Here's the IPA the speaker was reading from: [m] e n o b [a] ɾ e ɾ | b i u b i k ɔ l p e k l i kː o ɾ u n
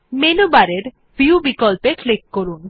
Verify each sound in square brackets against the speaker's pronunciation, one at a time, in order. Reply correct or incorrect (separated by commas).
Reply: correct, correct